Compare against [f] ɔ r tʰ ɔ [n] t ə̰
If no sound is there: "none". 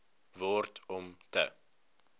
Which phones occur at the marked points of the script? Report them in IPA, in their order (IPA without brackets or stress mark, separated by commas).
v, m